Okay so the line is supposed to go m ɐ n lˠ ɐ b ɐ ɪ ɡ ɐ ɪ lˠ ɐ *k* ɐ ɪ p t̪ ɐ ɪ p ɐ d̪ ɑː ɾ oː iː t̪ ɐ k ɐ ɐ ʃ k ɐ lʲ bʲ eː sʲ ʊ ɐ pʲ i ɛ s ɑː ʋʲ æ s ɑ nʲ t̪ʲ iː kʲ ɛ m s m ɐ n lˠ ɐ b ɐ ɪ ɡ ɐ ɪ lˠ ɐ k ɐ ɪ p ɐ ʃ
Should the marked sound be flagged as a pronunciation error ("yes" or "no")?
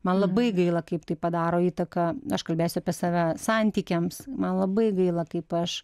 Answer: no